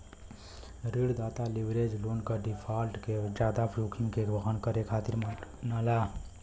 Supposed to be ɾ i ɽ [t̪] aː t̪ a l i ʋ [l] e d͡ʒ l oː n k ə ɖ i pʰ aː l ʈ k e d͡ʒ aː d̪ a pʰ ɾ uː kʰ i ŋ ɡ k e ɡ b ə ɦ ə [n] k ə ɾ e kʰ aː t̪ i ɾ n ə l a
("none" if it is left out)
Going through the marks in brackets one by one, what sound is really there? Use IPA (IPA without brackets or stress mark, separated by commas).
d̪, ɾ, n